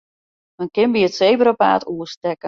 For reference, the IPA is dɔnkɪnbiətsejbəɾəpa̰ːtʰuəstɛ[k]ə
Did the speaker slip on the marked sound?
no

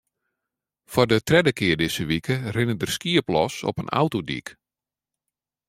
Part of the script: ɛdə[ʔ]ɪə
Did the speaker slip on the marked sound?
yes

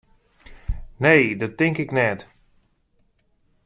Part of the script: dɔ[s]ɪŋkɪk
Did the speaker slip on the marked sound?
yes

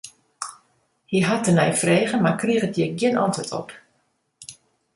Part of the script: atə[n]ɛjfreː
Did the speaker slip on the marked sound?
no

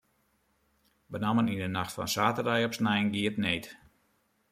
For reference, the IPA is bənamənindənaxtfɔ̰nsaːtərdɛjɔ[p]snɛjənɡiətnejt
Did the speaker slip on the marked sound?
no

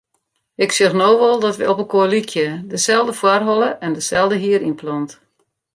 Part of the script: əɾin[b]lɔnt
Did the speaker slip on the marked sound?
yes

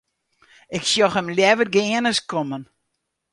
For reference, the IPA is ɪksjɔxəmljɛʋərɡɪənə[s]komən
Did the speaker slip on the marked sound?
no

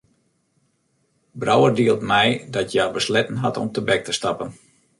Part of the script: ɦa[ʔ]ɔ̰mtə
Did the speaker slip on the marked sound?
yes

